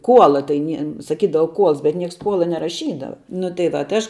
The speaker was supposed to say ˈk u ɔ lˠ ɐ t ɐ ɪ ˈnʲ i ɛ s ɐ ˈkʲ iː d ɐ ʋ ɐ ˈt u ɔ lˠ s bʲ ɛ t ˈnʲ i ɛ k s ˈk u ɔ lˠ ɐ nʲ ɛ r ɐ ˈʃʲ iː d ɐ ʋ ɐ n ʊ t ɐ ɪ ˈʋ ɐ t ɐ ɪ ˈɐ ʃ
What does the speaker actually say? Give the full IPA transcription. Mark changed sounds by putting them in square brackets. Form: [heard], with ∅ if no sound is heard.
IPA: ˈk u ɔ lˠ ɐ t ɐ ɪ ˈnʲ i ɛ s ɐ ˈkʲ iː d ɐ ʋ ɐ [ˈk] u ɔ lˠ s bʲ ɛ t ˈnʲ i ɛ k s ˈk u ɔ lˠ ɐ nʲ ɛ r ɐ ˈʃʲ iː d ɐ ʋ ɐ n ʊ t ɐ ɪ ˈʋ ɐ t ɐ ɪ ˈɐ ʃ